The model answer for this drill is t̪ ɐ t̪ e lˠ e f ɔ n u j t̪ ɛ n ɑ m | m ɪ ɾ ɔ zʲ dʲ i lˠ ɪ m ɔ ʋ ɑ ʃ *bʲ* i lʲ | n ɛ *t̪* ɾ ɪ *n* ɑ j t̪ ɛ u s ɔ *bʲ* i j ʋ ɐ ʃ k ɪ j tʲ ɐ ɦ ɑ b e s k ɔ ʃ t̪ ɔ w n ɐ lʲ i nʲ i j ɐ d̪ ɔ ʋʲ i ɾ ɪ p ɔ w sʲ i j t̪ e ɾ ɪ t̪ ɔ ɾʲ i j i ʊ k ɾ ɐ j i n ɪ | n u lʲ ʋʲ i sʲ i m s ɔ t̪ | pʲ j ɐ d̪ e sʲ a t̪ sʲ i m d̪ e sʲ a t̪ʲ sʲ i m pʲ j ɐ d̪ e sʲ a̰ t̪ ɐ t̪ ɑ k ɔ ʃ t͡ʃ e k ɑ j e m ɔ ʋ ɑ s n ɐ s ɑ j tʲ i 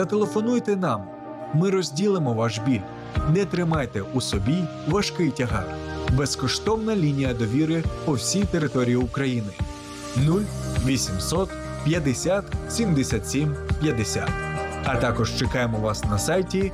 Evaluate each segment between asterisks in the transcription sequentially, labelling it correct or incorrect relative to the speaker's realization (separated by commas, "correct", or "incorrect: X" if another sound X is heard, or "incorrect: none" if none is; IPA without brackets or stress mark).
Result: correct, correct, incorrect: m, correct